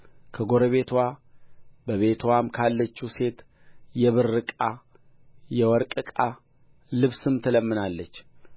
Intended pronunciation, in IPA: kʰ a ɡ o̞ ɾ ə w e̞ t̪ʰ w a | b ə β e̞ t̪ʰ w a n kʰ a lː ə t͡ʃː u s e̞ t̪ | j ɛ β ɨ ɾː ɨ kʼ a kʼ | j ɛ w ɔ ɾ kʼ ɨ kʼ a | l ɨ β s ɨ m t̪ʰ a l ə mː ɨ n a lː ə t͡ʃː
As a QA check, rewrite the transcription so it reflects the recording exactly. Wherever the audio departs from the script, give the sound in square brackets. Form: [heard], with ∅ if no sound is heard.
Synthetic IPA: kʰ [ə] ɡ o̞ ɾ ə [β] e̞ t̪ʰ w a | b ə β e̞ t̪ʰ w a [m] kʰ a lː ə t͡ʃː u s e̞ t̪ | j ɛ β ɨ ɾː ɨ kʼ a [∅] | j ɛ w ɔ ɾ kʼ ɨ kʼ a | l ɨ β s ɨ m t̪ʰ [ə] l ə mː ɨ n a lː ə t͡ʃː